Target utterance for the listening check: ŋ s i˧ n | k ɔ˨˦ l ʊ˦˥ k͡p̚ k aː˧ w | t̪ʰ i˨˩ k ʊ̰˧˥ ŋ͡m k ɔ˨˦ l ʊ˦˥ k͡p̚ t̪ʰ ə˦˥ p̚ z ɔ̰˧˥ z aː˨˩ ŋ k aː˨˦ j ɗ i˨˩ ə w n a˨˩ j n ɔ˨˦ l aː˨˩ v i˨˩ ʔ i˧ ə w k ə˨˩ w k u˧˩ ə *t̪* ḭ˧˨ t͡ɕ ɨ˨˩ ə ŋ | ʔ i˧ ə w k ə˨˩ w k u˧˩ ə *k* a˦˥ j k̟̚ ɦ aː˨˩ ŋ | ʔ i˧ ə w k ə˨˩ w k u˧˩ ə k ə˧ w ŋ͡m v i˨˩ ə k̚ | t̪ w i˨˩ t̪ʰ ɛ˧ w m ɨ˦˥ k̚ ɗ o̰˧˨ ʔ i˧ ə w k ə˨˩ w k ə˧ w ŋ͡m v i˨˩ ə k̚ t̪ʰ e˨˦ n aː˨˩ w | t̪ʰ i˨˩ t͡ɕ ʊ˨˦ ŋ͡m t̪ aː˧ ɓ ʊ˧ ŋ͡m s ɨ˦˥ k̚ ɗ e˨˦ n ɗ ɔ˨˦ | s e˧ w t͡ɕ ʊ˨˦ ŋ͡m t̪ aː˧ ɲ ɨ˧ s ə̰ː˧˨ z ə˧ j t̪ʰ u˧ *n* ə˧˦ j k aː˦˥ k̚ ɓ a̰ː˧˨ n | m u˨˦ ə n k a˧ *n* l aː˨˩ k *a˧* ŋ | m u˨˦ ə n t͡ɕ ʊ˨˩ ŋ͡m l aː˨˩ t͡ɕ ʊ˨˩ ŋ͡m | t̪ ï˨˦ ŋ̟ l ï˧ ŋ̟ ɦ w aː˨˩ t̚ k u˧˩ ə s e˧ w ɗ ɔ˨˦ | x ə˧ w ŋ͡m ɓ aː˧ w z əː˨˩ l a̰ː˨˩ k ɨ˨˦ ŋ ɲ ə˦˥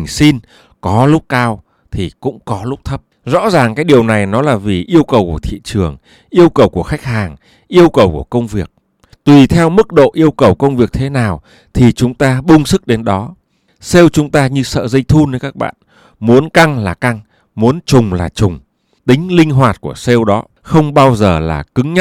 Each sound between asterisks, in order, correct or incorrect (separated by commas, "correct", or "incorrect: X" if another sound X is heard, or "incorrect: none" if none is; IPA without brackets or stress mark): incorrect: t̪ʰ, incorrect: x, correct, incorrect: ŋ, correct